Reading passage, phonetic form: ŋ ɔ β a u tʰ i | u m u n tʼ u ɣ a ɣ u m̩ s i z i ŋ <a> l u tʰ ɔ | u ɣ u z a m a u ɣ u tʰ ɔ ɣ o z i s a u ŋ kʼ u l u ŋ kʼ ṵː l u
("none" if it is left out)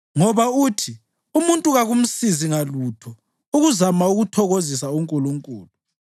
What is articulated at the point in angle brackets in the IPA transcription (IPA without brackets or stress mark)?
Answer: a